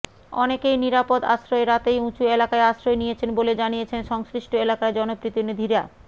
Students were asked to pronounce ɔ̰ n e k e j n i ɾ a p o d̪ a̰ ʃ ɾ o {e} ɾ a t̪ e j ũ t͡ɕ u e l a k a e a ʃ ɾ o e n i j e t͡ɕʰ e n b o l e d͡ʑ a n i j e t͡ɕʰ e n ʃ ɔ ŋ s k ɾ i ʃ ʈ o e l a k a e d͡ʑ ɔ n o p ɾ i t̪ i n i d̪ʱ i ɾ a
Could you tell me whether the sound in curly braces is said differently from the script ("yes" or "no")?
no